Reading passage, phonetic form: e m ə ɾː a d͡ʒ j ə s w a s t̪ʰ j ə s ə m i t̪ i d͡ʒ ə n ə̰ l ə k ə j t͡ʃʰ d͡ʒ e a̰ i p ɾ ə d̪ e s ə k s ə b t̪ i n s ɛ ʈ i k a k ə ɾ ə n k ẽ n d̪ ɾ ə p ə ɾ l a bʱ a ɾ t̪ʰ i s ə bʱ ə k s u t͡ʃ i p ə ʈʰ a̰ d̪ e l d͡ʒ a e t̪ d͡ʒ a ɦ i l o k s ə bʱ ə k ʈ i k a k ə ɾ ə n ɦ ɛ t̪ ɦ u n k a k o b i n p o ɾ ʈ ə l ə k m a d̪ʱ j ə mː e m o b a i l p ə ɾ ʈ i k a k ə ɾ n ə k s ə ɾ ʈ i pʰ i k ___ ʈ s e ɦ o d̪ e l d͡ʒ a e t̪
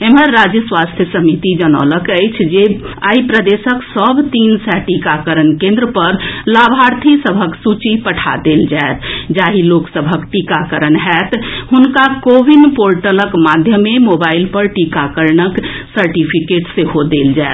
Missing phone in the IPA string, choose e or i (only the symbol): e